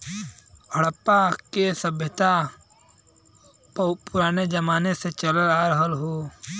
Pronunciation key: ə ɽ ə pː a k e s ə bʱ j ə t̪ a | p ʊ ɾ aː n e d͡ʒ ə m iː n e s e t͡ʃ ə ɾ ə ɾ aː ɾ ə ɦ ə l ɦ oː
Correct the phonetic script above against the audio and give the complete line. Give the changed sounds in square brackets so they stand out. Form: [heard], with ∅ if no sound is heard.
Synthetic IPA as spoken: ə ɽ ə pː a k e s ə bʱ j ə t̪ a | p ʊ ɾ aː n e d͡ʒ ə m [aː] n e s e t͡ʃ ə [l] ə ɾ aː ɾ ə ɦ ə l ɦ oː